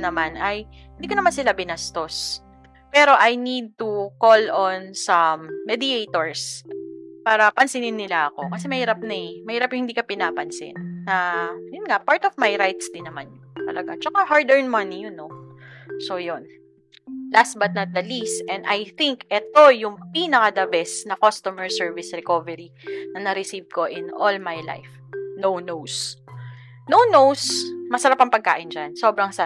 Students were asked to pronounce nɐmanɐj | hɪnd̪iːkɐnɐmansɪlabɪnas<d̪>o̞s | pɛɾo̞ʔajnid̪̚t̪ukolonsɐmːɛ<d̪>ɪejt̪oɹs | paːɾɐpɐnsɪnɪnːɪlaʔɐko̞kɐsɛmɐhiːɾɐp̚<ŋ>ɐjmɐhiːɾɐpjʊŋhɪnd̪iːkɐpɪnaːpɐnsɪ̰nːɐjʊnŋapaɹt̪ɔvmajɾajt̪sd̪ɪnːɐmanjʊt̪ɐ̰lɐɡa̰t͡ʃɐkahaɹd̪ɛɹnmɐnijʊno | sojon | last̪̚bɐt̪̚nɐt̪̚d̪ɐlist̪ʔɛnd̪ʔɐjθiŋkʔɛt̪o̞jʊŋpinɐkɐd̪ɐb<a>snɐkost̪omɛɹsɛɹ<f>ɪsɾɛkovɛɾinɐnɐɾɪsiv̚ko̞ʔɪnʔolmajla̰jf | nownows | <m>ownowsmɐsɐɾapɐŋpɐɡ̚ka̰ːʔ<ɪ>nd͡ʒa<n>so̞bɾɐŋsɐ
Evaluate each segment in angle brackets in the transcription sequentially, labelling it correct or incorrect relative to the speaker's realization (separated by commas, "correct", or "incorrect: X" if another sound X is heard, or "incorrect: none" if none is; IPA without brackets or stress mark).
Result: incorrect: t̪, correct, incorrect: n, incorrect: ɛ, incorrect: v, incorrect: n, correct, correct